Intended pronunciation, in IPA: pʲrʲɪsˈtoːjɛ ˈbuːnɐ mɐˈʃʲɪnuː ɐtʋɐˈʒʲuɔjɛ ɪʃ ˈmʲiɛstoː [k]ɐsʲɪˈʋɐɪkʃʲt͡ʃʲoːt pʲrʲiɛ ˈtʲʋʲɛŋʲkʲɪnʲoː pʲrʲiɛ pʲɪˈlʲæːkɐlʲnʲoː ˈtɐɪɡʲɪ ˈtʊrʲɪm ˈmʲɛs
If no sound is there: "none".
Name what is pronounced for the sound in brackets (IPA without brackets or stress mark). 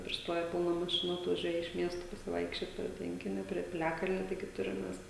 p